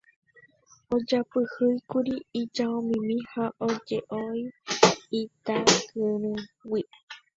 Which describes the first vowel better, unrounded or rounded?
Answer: rounded